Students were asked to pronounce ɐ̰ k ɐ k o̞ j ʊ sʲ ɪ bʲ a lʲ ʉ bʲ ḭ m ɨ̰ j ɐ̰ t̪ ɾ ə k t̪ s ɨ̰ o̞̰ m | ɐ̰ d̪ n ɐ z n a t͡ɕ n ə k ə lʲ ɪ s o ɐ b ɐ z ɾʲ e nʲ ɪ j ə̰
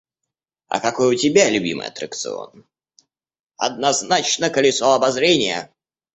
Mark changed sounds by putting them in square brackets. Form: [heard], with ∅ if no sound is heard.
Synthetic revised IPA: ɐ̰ k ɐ k o̞ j ʊ [tʲ] ɪ bʲ a lʲ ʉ bʲ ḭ m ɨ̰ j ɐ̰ t̪ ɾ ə k t̪ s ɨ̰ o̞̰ [n] | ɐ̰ d̪ n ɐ z n a t͡ɕ n ə k ə lʲ ɪ s o ɐ b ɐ z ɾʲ e nʲ ɪ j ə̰